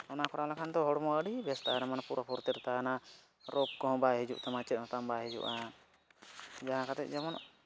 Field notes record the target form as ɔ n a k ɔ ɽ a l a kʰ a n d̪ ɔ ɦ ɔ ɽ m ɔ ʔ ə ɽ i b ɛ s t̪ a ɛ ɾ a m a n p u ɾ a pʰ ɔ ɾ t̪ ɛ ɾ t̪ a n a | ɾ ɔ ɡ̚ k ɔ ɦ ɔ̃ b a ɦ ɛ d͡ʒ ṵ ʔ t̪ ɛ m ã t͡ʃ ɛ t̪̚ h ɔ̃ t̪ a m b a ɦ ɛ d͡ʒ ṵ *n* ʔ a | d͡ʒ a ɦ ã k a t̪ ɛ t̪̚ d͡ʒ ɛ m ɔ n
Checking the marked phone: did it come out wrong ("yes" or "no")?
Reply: yes